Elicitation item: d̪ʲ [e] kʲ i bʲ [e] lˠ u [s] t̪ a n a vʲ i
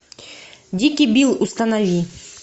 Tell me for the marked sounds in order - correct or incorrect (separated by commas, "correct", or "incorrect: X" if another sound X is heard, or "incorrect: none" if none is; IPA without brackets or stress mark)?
incorrect: i, incorrect: i, correct